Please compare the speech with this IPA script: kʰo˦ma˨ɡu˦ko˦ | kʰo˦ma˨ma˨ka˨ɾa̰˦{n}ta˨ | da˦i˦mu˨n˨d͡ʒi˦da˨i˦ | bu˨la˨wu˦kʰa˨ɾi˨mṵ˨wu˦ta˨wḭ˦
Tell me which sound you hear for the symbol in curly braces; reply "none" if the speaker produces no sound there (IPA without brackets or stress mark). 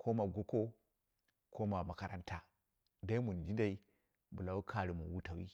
n